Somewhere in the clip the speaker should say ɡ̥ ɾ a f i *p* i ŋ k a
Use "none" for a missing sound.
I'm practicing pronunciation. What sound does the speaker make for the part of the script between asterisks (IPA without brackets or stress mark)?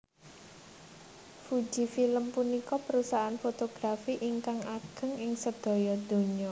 ʔ